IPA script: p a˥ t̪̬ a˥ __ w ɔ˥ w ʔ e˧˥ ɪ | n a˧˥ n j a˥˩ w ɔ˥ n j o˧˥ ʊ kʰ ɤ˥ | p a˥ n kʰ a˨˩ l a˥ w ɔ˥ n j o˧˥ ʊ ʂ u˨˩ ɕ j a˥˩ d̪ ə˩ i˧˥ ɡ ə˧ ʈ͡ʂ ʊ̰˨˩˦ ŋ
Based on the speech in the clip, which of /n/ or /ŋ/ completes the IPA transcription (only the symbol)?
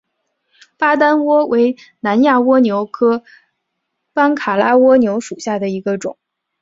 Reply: n